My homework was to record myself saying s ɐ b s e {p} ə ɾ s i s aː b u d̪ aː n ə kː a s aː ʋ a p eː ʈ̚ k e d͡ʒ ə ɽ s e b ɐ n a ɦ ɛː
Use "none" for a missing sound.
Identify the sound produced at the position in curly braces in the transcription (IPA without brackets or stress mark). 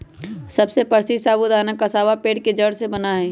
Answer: p